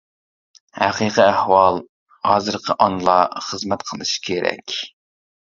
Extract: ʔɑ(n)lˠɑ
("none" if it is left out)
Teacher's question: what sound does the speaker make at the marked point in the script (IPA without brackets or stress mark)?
n